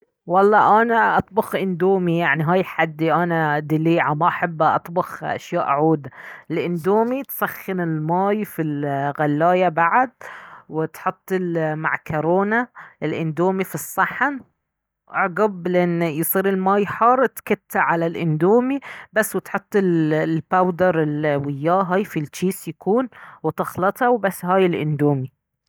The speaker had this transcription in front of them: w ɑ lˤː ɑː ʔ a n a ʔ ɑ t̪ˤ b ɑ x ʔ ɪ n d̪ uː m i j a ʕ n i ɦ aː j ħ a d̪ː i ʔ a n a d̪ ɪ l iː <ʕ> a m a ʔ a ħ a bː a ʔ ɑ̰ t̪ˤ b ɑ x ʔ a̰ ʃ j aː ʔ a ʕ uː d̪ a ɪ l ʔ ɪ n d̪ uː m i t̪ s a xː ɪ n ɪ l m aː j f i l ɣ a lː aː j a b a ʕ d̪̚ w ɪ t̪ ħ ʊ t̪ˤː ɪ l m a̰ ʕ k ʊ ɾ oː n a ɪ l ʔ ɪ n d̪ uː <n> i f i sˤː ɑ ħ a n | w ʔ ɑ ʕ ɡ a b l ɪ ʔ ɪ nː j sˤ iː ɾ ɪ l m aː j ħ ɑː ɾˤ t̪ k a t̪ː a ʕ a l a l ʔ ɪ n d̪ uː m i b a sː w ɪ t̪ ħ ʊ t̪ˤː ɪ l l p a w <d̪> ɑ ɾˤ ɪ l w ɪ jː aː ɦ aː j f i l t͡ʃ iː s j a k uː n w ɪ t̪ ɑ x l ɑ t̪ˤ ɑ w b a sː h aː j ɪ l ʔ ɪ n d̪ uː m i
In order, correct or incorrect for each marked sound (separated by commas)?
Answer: correct, incorrect, correct